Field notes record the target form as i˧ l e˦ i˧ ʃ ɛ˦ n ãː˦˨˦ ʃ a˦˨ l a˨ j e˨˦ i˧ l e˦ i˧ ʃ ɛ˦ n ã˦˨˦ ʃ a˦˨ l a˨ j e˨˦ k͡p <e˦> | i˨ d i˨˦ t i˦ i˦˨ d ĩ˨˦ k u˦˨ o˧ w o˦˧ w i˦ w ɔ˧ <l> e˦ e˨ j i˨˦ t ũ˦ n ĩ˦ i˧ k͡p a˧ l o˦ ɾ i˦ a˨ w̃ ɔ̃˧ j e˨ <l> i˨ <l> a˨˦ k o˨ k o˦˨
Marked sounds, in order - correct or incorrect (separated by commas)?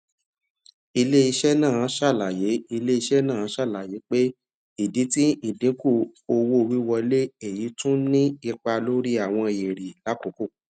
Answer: correct, correct, incorrect, correct